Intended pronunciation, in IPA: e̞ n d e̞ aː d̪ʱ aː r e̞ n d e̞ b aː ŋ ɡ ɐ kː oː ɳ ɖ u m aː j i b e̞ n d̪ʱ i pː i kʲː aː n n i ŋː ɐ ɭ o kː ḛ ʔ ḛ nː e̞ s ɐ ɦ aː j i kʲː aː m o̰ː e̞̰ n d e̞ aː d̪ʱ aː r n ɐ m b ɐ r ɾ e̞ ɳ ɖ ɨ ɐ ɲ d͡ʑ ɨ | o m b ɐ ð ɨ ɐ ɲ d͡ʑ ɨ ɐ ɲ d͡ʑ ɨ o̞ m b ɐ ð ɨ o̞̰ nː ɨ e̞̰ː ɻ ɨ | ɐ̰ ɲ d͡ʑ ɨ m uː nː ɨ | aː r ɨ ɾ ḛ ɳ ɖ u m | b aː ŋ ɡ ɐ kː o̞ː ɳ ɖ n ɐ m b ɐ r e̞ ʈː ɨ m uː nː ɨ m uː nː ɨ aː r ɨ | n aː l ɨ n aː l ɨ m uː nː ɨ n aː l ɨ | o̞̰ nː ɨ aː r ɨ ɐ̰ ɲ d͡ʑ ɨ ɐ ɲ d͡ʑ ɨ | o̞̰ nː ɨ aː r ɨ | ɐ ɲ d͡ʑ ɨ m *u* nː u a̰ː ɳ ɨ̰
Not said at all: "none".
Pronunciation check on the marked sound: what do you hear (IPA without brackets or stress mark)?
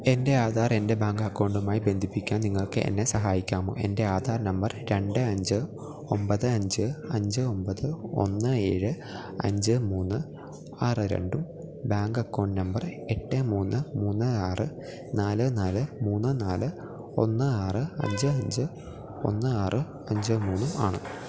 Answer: uː